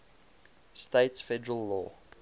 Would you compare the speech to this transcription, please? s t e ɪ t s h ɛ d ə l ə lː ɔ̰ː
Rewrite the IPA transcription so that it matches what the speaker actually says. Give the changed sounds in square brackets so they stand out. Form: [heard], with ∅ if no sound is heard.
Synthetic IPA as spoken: s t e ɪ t s [f] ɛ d ə [ɹ] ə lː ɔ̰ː